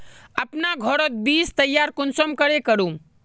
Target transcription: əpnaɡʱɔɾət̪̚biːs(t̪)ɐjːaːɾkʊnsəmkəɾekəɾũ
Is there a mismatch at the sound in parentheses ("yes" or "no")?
no